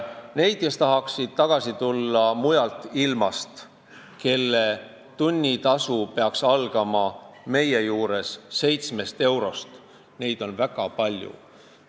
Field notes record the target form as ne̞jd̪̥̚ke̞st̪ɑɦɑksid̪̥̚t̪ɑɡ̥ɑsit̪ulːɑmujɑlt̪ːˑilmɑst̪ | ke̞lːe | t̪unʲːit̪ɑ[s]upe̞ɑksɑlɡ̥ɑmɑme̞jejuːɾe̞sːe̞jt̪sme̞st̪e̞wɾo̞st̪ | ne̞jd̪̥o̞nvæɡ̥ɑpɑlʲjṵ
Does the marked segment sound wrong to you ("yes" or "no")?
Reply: no